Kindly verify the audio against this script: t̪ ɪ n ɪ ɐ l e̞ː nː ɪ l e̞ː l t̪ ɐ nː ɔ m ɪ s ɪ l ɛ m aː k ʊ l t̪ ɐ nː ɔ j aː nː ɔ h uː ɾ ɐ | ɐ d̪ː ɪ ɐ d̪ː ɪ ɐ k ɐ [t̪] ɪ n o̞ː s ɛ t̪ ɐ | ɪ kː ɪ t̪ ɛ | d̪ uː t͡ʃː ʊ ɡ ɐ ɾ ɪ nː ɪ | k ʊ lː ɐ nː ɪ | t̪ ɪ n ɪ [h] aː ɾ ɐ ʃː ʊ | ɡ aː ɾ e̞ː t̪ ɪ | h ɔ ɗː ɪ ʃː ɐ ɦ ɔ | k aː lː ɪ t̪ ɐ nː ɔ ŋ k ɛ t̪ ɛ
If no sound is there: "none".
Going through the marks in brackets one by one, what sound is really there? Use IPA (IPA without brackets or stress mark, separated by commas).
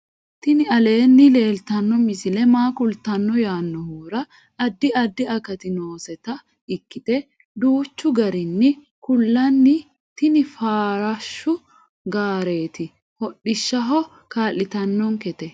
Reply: t̪, f